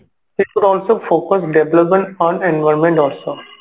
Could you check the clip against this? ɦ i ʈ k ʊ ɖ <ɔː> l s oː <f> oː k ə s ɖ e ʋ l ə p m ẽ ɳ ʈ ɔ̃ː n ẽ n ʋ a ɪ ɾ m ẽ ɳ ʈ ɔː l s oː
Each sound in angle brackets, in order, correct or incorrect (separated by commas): correct, correct